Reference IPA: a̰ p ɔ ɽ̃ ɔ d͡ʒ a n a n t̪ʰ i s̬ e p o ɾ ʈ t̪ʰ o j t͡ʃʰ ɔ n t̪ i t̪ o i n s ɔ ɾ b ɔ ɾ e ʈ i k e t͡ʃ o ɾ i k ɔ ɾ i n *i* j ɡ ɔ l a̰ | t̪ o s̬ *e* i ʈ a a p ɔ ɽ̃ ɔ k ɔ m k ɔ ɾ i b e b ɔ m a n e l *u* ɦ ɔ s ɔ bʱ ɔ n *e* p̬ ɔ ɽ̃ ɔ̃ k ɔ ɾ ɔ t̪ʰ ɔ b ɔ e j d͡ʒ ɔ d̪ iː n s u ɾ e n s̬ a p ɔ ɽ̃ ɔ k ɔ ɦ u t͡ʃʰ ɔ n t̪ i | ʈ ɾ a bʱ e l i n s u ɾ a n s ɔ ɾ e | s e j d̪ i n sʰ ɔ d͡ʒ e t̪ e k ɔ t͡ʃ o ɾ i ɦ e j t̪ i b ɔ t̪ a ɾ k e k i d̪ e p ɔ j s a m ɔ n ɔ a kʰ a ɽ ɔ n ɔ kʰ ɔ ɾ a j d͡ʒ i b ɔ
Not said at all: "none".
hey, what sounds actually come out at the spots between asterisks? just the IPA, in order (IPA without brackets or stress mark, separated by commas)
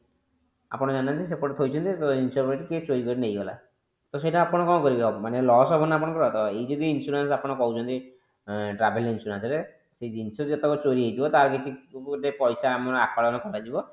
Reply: e, e, ɔ, a